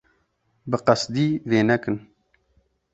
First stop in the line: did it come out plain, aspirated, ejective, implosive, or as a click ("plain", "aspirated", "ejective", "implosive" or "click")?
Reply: plain